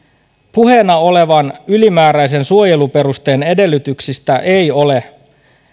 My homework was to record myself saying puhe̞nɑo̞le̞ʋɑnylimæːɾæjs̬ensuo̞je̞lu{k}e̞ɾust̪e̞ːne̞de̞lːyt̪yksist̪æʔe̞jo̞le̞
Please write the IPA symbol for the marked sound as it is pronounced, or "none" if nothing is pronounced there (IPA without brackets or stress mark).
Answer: p